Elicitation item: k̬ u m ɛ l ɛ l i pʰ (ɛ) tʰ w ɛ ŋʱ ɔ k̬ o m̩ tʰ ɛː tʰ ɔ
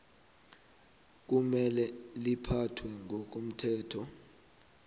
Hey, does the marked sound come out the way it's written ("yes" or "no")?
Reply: no